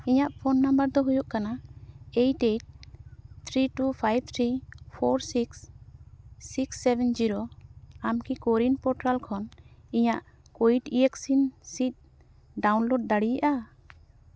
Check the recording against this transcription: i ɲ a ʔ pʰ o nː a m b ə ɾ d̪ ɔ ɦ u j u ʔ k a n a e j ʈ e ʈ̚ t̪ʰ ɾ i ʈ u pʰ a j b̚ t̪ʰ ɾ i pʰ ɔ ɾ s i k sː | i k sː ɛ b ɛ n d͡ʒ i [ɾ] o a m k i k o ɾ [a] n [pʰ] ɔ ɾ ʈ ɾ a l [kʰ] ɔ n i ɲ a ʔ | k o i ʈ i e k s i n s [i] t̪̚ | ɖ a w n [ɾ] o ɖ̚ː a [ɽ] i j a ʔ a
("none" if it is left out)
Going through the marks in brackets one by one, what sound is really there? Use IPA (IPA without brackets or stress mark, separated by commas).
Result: ɾ, i, p, kʰ, i, l, ɽ